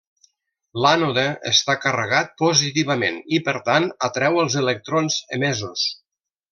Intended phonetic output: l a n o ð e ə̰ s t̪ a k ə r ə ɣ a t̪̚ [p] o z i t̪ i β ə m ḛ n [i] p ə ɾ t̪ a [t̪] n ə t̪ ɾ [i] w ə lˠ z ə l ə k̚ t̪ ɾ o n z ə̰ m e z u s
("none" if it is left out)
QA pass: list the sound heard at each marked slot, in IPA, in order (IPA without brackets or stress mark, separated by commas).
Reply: p, i, none, ɛ